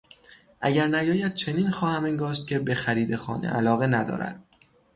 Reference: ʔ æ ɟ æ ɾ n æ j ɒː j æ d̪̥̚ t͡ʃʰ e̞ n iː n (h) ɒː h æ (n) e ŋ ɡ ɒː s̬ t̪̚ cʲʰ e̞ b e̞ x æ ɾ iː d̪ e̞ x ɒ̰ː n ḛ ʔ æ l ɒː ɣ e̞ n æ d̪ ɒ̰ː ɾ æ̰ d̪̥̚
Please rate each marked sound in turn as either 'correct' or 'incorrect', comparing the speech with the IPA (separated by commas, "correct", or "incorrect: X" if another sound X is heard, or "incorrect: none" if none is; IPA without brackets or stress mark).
incorrect: x, incorrect: m